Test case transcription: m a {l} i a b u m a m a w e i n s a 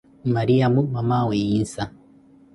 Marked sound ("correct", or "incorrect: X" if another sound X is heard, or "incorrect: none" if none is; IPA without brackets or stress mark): incorrect: ɾ